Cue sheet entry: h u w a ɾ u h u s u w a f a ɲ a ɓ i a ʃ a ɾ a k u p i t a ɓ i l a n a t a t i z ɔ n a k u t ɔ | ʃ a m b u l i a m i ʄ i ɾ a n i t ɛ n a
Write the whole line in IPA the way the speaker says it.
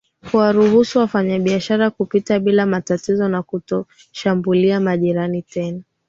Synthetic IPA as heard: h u w a ɾ u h u s u w a f a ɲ a ɓ i a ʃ a ɾ a k u p i t a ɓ i l a m a t a t i z ɔ n a k u t ɔ | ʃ a m b u l i a m a ʄ i ɾ a n i t ɛ n a